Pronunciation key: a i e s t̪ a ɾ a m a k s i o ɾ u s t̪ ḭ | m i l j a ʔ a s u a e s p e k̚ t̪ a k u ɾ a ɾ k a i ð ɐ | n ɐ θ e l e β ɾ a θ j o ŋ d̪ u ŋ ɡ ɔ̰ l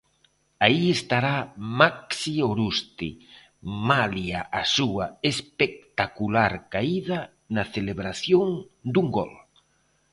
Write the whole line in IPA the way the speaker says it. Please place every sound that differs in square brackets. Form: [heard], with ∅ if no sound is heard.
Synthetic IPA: a i e s t̪ a ɾ a m a k s i o ɾ u s t̪ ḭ | m [a] l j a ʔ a s u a e s p e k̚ t̪ a k u [l] a ɾ k a i ð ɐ | n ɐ θ e l e β ɾ a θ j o ŋ d̪ u ŋ ɡ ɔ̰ l

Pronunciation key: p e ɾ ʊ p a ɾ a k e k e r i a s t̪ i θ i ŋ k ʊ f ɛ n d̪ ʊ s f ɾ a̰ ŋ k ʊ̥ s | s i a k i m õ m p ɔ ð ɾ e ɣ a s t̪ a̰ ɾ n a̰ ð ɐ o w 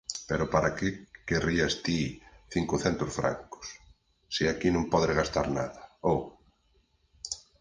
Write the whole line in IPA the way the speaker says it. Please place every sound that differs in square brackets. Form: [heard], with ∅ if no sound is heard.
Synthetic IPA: p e ɾ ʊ p a ɾ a k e k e r i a s t̪ i θ i ŋ k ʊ [θ] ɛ n [t̪] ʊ s f ɾ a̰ ŋ k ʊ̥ s | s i a k i [n] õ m p ɔ ð ɾ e ɣ a s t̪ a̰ ɾ n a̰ ð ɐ o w

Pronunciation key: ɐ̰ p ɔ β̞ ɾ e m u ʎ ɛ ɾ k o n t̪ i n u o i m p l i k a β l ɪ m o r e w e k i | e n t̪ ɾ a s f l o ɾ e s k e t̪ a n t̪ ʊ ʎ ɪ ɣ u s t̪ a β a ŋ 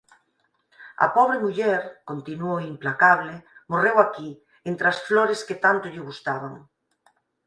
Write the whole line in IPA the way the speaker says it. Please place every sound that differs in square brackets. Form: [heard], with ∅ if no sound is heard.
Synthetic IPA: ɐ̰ p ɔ β̞ ɾ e m u ʎ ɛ ɾ k o n t̪ i n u o i m p l [a] k a β l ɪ m o r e w [a] k i | e n t̪ ɾ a s f l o ɾ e s k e t̪ a n t̪ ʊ ʎ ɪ ɣ u s t̪ a β a ŋ

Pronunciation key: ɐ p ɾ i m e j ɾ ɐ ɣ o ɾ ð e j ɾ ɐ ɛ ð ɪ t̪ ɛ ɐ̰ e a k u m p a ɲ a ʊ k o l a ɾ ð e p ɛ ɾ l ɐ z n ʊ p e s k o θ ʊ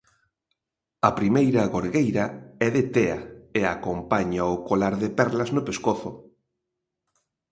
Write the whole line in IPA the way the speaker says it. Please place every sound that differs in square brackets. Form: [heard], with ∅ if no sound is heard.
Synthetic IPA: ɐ p ɾ i m e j ɾ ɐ ɣ o ɾ [ɣ] e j ɾ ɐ ɛ ð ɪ t̪ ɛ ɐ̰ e a k [o] m p a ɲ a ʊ k o l a ɾ ð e p ɛ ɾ l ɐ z n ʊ p e s k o θ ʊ

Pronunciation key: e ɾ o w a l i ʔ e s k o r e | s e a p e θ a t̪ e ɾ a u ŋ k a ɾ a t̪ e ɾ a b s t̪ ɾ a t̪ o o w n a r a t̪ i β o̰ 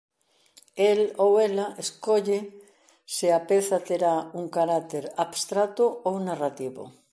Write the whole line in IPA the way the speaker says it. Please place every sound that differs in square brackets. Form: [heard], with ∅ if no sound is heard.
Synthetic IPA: e [l] o w [e] l [a] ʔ e s k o [ʎ] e | s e a p e θ a t̪ e ɾ a u ŋ k a ɾ a t̪ e ɾ a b s t̪ ɾ a t̪ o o w n a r a t̪ i β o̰

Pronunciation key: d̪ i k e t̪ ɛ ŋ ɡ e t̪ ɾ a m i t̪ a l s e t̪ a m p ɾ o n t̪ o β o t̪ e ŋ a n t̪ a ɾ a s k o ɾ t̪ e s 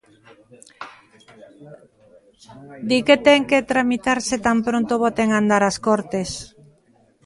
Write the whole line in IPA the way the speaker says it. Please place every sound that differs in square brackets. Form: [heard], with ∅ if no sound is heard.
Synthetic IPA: d̪ i k e t̪ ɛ ŋ [k] e t̪ ɾ a m i t̪ a [ɾ] s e t̪ a m p ɾ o n t̪ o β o t̪ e ŋ a n [d̪] a ɾ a s k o ɾ t̪ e s

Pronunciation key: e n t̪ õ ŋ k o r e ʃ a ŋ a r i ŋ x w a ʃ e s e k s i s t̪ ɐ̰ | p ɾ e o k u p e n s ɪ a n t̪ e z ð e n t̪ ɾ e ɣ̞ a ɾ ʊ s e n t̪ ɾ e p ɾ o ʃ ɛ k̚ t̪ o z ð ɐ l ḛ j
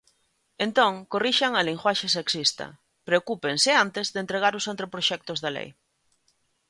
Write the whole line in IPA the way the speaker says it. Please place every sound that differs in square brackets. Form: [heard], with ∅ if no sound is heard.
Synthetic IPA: e n t̪ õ ŋ k o r [i] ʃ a ŋ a [l] i ŋ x w a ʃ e s e k s i s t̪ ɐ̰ | p ɾ e o k u p e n s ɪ a n t̪ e z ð e n t̪ ɾ e ɣ̞ a ɾ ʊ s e n t̪ ɾ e p ɾ o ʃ ɛ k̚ t̪ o z ð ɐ l ḛ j

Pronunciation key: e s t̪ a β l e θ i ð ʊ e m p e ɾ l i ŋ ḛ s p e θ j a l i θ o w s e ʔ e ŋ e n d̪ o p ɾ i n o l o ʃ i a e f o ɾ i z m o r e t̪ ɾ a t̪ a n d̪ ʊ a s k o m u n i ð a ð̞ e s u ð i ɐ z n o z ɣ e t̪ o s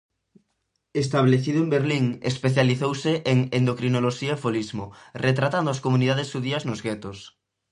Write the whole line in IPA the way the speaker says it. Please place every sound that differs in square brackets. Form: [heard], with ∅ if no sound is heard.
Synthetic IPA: e s t̪ a β l e θ i ð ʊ e m [b] e ɾ l i ŋ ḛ s p e θ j a l i θ o w s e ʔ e ŋ e n d̪ o [k] ɾ i n o l o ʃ i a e f o [l] i z m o r e t̪ ɾ a t̪ a n d̪ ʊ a s k o m u n i ð a ð̞ e s u ð i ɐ z n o z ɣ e t̪ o s

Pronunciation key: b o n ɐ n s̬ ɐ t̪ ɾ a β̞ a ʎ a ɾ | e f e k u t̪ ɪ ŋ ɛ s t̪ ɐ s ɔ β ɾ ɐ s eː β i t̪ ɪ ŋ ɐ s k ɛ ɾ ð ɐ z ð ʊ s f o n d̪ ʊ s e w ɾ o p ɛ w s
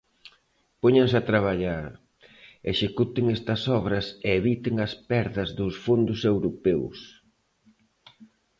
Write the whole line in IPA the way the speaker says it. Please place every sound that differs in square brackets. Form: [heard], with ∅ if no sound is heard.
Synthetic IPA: [p] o [ɲ] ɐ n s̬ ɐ t̪ ɾ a β̞ a ʎ a ɾ | e [ʃ] e k u t̪ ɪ ŋ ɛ s t̪ ɐ s ɔ β ɾ ɐ s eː β i t̪ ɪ ŋ ɐ s [p] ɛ ɾ ð ɐ z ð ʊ s f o n d̪ ʊ s e w ɾ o p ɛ w s

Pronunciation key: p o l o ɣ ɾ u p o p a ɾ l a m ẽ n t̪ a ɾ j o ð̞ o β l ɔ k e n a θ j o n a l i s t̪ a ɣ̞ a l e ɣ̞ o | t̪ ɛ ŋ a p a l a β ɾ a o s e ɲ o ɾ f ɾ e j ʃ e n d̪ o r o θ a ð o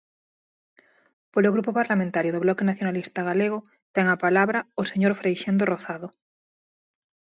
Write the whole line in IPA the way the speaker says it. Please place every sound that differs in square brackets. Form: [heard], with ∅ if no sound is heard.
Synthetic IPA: p o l o ɣ ɾ u p o p a ɾ l a m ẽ n t̪ a ɾ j o ð̞ o β l ɔ k e n a θ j o n a l i s t̪ a ɣ̞ a l e ɣ̞ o | t̪ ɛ ŋ a p a l a β ɾ a o s e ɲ o ɾ f ɾ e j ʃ e n d̪ o r o θ a ð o

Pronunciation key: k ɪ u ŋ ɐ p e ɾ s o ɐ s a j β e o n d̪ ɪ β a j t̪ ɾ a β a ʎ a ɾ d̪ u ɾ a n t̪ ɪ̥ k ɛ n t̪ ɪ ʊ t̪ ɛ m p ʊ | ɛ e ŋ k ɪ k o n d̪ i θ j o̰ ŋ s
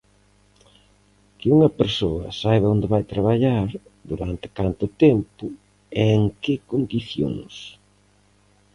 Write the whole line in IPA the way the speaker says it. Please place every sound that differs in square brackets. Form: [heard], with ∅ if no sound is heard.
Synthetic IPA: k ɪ u ŋ ɐ p e ɾ s o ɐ s a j β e o n d̪ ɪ β a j t̪ ɾ a β a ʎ a ɾ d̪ u ɾ a n t̪ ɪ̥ k [a] n t̪ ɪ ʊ t̪ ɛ m p ʊ | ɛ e ŋ k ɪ k o n d̪ i θ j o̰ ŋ s

